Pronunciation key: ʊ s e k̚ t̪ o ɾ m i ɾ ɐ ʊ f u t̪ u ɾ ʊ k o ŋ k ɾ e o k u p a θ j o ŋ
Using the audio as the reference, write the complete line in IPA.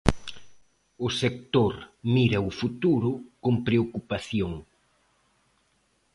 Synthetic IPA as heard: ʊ s e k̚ t̪ o ɾ m i ɾ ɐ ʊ f u t̪ u ɾ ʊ k o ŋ p ɾ e o k u p a θ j o ŋ